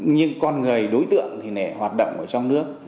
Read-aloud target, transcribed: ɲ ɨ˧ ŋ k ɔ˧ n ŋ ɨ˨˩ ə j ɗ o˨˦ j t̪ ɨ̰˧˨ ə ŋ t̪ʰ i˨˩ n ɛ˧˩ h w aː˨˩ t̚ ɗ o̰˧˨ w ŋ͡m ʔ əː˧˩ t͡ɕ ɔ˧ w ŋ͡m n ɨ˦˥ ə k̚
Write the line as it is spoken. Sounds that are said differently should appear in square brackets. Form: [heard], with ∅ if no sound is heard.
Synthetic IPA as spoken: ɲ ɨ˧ ŋ k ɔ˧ n ŋ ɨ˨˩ ə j ɗ o˨˦ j t̪ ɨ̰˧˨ ə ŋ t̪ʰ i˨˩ n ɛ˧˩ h w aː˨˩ t̚ ɗ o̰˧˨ w ŋ͡m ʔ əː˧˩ t͡ɕ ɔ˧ w ŋ͡m n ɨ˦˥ ə k̚